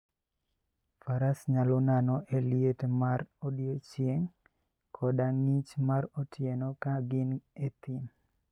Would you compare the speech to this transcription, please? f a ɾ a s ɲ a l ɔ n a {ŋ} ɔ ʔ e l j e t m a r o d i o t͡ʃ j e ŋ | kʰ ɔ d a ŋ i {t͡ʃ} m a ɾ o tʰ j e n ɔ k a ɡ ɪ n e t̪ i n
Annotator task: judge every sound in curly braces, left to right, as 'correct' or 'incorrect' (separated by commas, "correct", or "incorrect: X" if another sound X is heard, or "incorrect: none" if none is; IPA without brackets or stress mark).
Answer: incorrect: n, correct